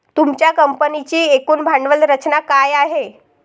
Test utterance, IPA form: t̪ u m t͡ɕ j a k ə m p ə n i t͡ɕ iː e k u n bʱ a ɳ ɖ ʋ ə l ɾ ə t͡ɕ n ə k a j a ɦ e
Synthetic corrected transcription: t̪ u m t͡ɕ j a k ə m p ə n i t͡ɕ iː e k uː n bʱ a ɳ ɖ ʋ ə l ɾ ə t͡ɕ n a k a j a ɦ e